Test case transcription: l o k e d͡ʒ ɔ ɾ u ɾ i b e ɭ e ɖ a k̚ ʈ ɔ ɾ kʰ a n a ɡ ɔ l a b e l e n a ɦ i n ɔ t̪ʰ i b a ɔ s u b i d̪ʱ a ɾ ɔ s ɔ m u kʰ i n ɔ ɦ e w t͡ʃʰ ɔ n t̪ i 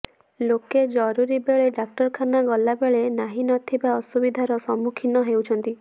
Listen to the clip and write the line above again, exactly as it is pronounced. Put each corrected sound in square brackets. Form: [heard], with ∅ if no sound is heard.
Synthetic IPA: l o k e d͡ʒ ɔ ɾ u ɾ i b e ɭ e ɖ a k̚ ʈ ɔ ɾ kʰ a n a ɡ ɔ l a b e [ɭ] e n a ɦ i n ɔ t̪ʰ i b a ɔ s u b i d̪ʱ a ɾ ɔ s ɔ m u kʰ i n ɔ ɦ e w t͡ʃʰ ɔ n t̪ i